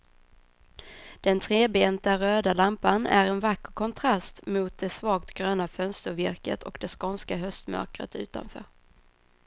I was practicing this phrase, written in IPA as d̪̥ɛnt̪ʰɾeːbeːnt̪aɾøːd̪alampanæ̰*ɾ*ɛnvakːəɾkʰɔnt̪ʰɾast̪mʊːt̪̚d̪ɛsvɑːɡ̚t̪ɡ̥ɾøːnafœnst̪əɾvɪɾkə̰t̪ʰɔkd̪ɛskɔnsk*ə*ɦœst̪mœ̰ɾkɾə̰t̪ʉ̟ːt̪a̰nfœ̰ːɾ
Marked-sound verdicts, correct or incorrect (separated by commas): correct, incorrect